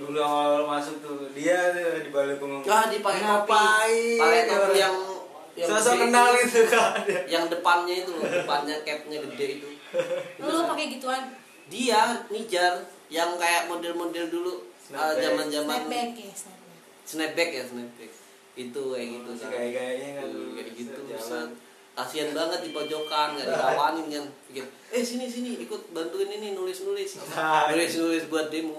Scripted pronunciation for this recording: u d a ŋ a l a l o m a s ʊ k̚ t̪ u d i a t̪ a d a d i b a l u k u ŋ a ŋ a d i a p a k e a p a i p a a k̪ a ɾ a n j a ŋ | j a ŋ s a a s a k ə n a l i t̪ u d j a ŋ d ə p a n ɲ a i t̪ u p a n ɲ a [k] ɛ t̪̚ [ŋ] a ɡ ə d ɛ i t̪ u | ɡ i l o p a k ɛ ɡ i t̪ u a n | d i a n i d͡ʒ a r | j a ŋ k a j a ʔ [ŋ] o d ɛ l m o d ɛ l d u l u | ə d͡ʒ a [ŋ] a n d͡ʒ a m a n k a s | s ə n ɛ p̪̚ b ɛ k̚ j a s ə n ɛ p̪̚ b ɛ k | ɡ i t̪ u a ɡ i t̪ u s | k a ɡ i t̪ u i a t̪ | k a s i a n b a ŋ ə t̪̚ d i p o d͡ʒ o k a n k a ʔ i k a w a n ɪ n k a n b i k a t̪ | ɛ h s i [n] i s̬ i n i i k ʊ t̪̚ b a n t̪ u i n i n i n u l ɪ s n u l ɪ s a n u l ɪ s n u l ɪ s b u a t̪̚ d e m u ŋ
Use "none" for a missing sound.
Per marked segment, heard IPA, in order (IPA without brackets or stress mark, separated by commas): k, ɲ, m, m, n